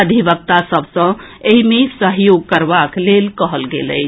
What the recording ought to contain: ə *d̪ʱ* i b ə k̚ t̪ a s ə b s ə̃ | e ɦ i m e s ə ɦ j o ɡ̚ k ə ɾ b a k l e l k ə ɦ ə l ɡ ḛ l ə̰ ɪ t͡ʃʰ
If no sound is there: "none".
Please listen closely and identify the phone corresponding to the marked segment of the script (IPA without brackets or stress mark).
d̪ʱ